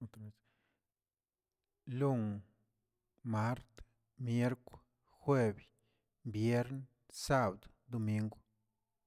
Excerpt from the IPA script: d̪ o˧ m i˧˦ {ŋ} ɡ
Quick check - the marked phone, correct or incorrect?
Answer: correct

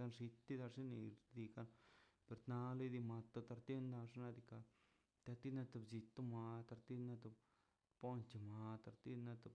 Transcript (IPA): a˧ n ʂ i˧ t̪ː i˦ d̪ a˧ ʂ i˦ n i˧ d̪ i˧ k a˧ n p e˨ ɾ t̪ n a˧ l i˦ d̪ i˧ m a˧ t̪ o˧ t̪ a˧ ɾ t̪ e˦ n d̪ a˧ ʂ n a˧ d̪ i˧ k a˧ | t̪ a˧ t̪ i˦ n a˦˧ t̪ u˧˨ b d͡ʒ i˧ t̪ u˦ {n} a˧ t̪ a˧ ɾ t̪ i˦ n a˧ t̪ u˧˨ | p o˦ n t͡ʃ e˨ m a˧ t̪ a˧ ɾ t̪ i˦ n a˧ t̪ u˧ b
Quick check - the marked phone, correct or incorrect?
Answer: incorrect: m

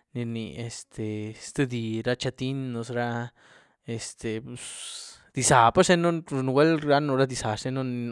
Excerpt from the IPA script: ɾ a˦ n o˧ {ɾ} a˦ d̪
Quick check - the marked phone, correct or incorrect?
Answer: correct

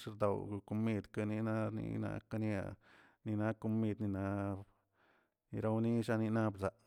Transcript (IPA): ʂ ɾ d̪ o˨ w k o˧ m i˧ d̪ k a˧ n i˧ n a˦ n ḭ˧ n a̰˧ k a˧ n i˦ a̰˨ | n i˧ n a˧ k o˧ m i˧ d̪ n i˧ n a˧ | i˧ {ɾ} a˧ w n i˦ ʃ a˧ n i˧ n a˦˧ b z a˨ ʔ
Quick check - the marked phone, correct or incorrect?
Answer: correct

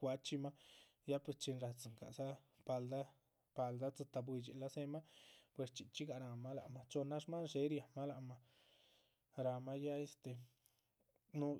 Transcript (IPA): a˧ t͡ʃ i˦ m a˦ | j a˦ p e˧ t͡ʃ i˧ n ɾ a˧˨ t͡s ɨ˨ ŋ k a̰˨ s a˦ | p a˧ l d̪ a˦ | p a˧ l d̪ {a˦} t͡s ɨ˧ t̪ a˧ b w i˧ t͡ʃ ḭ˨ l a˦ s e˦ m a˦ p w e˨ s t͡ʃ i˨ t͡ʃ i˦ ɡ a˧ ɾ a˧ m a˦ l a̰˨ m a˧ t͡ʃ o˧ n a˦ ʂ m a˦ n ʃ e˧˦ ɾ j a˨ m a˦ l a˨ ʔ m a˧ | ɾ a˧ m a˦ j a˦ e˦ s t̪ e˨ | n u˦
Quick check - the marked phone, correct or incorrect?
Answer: correct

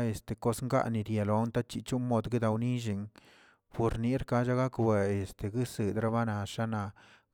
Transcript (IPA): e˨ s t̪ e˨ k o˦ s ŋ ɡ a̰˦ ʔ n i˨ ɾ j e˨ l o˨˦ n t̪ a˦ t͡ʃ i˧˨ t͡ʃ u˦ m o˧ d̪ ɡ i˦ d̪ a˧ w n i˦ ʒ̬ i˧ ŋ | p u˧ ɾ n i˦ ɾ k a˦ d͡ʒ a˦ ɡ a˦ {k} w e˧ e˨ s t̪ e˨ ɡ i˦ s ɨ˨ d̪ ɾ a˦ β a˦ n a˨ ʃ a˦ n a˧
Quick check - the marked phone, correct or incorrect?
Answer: correct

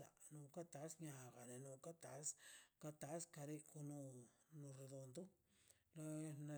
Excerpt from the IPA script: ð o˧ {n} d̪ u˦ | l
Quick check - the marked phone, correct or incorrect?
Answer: correct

